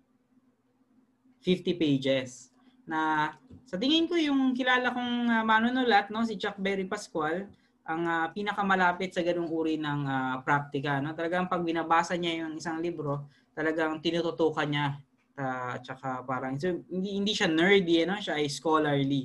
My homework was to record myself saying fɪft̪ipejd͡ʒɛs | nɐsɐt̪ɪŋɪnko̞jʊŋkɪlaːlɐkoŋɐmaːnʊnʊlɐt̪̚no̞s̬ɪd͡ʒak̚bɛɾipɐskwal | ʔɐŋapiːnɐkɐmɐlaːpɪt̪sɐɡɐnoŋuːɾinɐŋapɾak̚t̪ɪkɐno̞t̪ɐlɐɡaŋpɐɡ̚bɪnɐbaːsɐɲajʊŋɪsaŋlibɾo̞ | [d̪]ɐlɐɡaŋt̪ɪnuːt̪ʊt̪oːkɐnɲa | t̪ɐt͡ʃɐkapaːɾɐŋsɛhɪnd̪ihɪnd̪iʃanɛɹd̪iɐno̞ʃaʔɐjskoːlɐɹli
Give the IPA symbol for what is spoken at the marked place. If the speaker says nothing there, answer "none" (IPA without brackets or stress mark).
t̪